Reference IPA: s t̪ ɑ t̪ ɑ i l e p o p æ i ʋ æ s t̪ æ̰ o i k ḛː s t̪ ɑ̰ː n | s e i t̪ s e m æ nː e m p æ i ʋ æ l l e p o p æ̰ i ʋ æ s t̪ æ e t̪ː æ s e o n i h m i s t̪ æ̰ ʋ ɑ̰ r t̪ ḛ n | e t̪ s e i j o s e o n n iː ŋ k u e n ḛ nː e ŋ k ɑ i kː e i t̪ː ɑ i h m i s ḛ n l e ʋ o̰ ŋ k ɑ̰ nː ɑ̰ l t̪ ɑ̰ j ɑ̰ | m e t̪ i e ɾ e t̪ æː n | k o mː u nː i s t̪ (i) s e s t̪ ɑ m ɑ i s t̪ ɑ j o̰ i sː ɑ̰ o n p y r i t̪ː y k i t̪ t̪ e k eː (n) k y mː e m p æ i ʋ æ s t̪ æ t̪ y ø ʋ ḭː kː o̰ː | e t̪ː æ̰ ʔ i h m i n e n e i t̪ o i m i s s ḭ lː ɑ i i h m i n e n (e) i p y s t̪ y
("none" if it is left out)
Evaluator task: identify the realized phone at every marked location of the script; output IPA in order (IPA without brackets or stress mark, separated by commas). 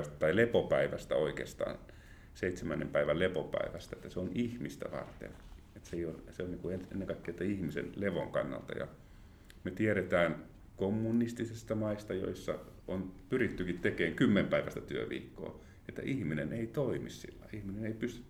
i, ŋ, e